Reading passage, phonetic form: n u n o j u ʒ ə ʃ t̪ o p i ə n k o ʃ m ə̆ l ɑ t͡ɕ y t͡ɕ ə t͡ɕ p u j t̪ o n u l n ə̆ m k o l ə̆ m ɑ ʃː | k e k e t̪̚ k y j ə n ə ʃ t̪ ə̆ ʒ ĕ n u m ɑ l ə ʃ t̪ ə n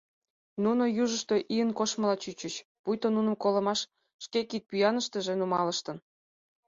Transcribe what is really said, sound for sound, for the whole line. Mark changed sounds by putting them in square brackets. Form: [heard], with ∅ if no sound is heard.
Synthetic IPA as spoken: n u n o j u ʒ ə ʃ t̪ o [ʔ] i ə n k o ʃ m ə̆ l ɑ t͡ɕ y t͡ɕ ə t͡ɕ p u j t̪ o n u [∅] n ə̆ m k o l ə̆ m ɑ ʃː | k e k [i] t̪̚ [p] y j [ɑ] n ə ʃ t̪ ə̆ ʒ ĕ n u m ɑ l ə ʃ t̪ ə n